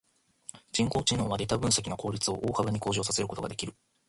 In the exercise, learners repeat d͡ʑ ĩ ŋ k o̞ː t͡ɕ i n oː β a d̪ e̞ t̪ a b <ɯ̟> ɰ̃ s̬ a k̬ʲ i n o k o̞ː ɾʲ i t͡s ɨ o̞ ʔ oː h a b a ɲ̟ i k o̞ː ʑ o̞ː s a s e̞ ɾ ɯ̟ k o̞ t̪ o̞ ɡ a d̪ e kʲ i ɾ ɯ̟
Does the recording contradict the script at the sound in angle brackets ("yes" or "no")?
yes